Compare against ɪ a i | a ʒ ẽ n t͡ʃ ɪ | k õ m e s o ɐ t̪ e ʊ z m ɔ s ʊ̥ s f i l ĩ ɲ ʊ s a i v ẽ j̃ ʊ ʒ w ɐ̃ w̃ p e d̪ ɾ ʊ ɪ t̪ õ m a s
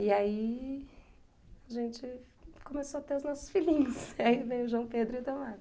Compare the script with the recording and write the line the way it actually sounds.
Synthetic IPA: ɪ a i | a ʒ ẽ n t͡ʃ ɪ | k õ m e s o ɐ t̪ e ʊ z n ɔ s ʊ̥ s f i l ĩ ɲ ʊ s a i v ẽ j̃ ʊ ʒ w ɐ̃ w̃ p e d̪ ɾ ʊ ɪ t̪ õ m a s